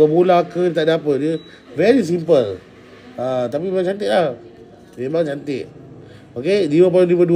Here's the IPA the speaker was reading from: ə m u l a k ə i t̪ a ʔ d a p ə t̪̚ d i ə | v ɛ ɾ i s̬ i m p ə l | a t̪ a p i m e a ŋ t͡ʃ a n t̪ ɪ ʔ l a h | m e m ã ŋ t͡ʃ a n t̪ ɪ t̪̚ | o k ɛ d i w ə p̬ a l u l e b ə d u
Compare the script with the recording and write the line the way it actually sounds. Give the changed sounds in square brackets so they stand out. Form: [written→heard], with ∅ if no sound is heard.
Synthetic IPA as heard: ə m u l a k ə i t̪ a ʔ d a p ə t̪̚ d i ə | v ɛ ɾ i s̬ i m p ə l | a t̪ a p i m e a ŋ t͡ʃ a n t̪ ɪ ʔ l a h | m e m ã ŋ t͡ʃ a n t̪ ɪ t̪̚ | o k [ɛ→e] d i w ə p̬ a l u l [e→i] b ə d u